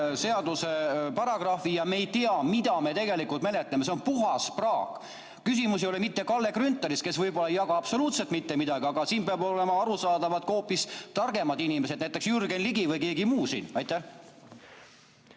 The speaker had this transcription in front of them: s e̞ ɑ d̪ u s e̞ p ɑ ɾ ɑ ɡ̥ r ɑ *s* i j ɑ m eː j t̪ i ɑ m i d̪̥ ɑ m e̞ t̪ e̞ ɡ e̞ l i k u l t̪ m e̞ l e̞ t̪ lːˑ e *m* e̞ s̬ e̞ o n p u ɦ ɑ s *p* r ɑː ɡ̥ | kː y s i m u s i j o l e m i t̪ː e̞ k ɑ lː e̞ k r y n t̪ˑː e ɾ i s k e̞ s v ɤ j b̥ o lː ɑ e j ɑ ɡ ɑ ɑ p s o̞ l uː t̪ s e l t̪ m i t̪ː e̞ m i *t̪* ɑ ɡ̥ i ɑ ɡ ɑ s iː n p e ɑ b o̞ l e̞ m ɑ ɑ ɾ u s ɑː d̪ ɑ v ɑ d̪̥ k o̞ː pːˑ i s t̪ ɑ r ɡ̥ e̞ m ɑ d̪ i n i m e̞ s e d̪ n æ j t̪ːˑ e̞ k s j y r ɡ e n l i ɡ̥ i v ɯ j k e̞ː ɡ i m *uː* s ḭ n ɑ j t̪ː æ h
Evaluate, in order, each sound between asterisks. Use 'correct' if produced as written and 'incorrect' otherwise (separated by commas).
incorrect, correct, correct, incorrect, correct